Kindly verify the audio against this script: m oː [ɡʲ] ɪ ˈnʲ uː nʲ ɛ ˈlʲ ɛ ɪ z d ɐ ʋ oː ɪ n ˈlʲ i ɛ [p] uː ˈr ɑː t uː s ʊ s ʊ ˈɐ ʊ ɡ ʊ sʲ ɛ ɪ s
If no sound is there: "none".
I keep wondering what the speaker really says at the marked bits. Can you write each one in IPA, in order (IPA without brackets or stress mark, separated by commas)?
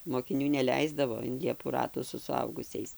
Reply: kʲ, p